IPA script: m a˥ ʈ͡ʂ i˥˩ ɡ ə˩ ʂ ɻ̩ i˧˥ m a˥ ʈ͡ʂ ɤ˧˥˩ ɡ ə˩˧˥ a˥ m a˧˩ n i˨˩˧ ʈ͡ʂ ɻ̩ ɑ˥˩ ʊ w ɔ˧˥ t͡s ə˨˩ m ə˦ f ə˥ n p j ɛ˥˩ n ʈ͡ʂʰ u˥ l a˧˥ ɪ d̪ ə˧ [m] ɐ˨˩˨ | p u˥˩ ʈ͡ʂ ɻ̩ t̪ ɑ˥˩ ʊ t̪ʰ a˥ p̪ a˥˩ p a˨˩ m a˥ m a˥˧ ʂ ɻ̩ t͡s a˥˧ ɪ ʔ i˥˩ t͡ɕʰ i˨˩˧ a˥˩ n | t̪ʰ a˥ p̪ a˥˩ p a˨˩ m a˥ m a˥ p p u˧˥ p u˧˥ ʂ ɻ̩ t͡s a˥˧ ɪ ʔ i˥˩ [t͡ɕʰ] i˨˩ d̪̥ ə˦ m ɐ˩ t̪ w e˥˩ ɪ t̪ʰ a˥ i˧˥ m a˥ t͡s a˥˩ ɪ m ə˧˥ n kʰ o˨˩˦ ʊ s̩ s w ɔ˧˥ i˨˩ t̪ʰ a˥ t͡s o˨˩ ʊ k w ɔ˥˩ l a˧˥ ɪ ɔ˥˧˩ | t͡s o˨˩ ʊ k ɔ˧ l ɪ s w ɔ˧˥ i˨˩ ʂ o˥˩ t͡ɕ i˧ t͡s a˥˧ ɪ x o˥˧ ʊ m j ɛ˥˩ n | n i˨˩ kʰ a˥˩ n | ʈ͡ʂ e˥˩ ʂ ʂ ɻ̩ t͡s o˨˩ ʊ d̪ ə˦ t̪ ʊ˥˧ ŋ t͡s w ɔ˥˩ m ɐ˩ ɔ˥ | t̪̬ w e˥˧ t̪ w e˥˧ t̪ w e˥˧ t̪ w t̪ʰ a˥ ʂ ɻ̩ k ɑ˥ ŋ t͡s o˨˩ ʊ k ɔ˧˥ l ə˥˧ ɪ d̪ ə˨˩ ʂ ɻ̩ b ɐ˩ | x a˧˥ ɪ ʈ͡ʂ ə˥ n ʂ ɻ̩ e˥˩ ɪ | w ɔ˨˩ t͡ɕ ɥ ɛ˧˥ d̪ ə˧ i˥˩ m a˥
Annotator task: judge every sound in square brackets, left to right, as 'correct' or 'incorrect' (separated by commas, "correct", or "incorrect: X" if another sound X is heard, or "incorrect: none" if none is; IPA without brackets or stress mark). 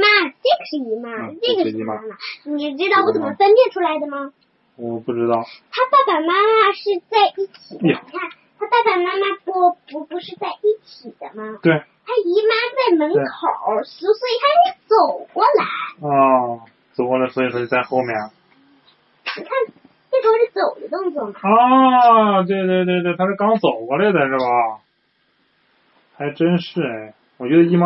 correct, correct